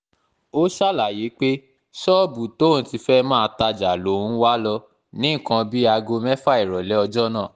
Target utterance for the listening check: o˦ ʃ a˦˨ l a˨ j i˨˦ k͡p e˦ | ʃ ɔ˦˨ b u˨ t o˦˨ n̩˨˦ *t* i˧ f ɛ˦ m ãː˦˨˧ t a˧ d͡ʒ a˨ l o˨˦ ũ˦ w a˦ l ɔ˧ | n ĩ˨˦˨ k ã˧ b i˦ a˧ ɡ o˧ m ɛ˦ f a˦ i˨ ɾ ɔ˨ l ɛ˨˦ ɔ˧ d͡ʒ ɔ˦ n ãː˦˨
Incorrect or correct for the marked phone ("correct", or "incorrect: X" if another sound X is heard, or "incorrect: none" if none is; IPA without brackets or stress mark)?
correct